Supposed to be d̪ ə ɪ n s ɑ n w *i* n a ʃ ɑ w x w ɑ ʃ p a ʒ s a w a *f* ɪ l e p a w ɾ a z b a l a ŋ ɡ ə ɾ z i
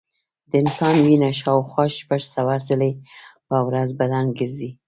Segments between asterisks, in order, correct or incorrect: correct, incorrect

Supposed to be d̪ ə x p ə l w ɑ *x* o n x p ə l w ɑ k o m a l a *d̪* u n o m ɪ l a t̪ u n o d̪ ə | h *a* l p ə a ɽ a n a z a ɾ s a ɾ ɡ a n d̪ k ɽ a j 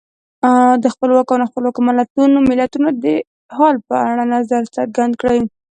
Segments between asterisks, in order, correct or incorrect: incorrect, incorrect, incorrect

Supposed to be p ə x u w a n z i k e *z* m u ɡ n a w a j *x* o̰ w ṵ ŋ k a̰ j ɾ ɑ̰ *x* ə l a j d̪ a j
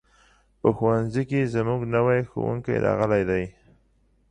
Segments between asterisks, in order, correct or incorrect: correct, correct, incorrect

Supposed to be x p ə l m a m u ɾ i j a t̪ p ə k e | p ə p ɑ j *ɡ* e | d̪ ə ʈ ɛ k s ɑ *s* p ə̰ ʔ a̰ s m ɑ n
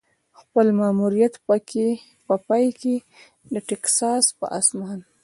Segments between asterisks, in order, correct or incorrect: incorrect, correct

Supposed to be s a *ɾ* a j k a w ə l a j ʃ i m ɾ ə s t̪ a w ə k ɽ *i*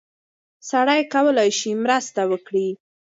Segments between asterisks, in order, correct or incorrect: incorrect, correct

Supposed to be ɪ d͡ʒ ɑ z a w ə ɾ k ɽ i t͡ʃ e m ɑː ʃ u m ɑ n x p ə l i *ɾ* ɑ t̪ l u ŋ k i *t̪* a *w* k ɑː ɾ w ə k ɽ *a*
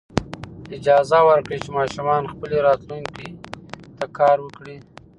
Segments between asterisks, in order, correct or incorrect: correct, correct, incorrect, incorrect

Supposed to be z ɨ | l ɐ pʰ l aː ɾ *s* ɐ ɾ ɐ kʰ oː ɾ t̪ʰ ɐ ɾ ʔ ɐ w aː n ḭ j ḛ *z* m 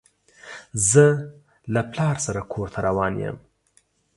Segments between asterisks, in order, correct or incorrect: correct, incorrect

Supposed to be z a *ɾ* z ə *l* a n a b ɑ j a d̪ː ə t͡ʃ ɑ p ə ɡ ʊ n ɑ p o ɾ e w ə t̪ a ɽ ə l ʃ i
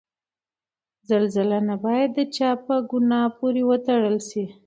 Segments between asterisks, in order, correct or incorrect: incorrect, correct

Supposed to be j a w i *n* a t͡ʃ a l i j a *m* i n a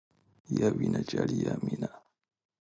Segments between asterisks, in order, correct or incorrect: correct, correct

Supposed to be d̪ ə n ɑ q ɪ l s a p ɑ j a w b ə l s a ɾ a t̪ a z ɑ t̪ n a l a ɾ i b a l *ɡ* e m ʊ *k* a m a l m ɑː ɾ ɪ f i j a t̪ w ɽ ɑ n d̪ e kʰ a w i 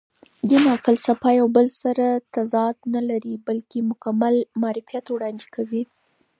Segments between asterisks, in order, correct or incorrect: incorrect, correct

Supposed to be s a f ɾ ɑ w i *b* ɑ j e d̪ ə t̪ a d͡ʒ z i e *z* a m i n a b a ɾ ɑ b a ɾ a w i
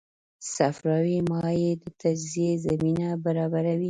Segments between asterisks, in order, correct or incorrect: incorrect, correct

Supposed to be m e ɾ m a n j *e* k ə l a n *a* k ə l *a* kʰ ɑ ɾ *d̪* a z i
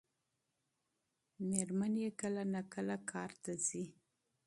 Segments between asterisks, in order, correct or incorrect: correct, correct, correct, incorrect

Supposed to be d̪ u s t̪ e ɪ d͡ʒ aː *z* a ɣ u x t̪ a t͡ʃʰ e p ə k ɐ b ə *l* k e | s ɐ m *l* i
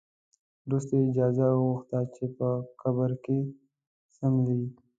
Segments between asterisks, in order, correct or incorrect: correct, incorrect, correct

